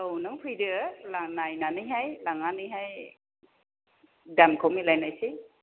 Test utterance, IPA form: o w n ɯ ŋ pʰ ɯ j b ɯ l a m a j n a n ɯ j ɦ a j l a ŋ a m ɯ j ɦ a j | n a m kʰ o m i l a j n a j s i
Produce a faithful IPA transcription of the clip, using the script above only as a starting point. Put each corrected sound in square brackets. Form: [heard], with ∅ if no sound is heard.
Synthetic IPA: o w n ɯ ŋ pʰ ɯ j [d] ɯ l a [n] a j n a n ɯ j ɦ a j l a ŋ a [n] ɯ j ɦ a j | [d] a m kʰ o m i l a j n a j s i